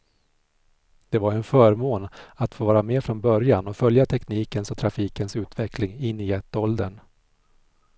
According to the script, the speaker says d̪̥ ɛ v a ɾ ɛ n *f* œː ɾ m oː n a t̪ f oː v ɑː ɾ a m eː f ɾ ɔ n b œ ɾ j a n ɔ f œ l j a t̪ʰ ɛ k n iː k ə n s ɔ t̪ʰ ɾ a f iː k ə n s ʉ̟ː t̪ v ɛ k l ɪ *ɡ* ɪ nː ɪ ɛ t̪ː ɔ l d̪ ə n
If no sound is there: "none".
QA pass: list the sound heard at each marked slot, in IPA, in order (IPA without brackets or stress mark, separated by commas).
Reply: f, ŋ